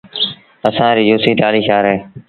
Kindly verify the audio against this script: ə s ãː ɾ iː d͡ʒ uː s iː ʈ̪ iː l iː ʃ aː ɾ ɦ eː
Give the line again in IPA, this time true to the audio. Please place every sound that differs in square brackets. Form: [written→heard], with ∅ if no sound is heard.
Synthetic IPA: ə s ãː ɾ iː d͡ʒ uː s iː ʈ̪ [iː→aː] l iː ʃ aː ɾ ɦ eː